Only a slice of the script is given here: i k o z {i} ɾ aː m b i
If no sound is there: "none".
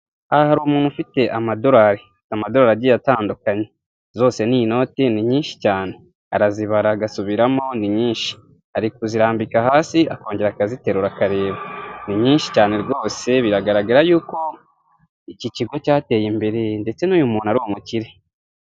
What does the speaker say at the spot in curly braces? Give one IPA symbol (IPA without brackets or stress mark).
i